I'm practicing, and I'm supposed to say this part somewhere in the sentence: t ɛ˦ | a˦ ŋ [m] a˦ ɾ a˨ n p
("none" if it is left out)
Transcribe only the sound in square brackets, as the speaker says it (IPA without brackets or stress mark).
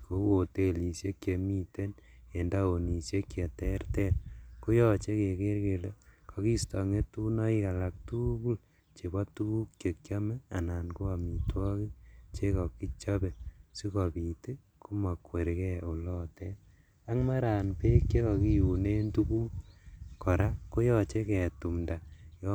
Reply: m